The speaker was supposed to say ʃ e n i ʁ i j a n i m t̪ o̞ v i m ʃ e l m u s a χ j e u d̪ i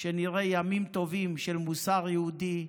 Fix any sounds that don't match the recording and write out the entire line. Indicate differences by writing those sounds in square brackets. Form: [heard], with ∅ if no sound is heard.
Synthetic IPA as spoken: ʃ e n i ʁ [e] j a [m] i m t̪ o̞ v i m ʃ e l m u s a [ʁ] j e u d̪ i